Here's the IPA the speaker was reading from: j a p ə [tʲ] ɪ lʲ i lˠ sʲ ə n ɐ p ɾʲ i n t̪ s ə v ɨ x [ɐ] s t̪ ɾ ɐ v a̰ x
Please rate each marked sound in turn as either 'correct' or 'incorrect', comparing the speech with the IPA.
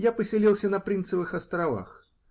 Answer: incorrect, correct

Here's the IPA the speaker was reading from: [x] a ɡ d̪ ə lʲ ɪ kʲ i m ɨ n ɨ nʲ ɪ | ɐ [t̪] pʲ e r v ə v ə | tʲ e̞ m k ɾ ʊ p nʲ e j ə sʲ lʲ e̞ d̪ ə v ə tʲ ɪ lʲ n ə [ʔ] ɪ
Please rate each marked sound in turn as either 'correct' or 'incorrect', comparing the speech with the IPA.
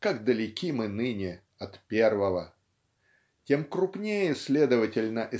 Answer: incorrect, correct, correct

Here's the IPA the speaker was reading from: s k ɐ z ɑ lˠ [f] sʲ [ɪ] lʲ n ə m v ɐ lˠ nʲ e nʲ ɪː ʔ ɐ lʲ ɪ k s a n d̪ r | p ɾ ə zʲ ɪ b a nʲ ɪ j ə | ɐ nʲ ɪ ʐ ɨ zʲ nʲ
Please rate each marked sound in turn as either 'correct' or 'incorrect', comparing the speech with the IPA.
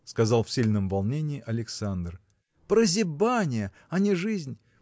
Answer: correct, incorrect

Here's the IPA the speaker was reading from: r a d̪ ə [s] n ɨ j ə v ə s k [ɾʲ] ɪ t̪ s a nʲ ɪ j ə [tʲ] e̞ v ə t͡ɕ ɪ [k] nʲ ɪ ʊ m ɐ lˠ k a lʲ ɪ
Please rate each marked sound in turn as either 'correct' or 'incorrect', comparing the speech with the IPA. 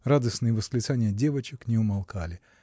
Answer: correct, incorrect, incorrect, correct

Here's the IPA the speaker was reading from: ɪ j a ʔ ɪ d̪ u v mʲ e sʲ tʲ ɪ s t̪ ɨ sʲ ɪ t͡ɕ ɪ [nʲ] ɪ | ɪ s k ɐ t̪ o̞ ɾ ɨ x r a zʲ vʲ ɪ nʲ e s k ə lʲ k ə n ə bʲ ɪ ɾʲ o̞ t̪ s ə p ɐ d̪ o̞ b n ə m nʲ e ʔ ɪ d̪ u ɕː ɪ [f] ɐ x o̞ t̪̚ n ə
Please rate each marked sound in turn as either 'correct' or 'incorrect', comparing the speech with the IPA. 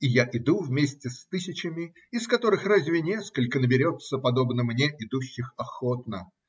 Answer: incorrect, incorrect

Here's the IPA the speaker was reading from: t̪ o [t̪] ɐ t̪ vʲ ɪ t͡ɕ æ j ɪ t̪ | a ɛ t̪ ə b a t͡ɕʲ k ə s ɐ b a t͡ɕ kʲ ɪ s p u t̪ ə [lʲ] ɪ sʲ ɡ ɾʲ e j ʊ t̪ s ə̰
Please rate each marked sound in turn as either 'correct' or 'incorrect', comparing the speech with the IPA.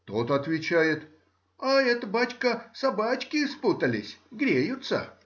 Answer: correct, correct

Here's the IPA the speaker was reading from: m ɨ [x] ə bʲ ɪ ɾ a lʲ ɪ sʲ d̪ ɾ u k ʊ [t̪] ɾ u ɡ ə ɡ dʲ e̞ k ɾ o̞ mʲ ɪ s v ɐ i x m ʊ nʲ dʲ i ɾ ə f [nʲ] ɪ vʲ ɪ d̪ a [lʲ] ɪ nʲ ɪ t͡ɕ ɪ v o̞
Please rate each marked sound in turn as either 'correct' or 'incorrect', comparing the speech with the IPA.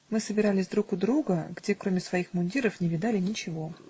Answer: incorrect, incorrect, correct, correct

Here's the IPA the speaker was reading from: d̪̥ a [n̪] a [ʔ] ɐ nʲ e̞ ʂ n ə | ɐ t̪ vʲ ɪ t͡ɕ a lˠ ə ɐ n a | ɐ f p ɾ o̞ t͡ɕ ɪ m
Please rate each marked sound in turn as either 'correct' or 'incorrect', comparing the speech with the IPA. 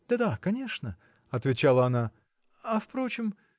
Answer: incorrect, incorrect

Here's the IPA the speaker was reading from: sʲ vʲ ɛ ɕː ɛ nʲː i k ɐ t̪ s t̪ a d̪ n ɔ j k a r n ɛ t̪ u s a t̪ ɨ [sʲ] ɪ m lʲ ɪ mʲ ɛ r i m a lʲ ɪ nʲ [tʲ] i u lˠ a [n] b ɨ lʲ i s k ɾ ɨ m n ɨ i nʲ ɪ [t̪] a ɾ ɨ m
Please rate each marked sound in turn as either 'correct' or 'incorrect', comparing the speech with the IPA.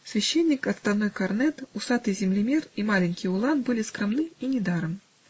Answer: incorrect, incorrect, correct, incorrect

